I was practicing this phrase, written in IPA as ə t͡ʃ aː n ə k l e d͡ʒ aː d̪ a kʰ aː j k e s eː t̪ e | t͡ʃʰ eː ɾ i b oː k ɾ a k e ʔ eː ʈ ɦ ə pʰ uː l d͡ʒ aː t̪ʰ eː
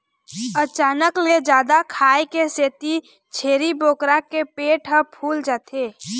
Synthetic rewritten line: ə t͡ʃ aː n ə k l e d͡ʒ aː d̪ a kʰ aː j k e s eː t̪ i | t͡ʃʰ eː ɾ i b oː k ɾ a k e p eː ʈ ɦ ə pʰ uː l d͡ʒ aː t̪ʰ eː